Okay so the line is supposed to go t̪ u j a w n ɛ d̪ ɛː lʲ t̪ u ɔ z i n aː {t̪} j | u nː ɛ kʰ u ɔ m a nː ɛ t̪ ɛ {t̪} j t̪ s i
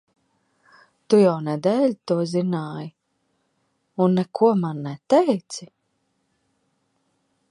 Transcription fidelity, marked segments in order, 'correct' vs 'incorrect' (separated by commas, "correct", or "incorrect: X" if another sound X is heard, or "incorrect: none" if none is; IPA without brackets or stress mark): incorrect: none, incorrect: none